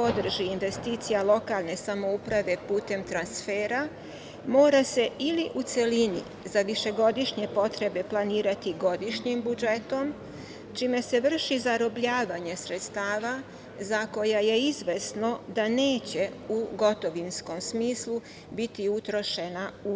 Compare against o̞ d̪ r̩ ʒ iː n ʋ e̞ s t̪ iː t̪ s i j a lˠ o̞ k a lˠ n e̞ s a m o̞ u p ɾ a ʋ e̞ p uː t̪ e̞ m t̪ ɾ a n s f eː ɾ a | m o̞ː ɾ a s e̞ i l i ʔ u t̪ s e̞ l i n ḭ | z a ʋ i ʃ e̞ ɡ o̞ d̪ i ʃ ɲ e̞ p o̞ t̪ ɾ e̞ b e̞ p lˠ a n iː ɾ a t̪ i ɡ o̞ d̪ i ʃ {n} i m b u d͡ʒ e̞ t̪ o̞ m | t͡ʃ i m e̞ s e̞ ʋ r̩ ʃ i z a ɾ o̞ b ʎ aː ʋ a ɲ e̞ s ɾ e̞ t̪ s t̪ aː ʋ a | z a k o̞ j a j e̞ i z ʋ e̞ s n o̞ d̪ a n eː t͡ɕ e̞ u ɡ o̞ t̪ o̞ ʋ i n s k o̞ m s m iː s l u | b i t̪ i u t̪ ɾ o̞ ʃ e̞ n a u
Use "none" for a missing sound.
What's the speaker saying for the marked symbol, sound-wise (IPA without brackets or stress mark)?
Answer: ɲ